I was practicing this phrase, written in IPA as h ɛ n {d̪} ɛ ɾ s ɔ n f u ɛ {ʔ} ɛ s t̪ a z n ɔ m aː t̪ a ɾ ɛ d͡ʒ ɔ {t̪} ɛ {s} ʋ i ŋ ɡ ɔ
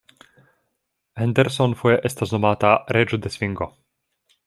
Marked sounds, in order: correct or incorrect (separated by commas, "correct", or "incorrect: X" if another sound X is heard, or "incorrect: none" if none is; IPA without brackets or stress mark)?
correct, correct, incorrect: d̪, correct